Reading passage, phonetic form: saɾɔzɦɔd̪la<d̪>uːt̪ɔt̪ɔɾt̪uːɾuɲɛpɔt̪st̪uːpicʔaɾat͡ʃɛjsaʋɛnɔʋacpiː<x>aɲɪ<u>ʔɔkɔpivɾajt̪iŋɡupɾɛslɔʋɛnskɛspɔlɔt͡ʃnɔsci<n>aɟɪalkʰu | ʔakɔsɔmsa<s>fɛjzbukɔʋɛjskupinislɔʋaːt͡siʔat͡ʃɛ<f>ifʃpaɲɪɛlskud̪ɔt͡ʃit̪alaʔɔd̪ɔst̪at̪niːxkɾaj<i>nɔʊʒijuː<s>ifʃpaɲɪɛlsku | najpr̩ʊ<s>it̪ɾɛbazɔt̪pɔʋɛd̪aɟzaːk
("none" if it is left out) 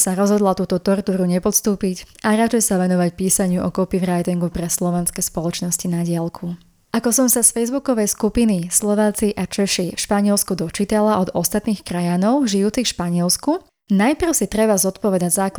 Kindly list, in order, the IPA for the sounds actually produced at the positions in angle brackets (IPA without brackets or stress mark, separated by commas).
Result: t̪, s, u, n, s, ʃ, a, t͡s, s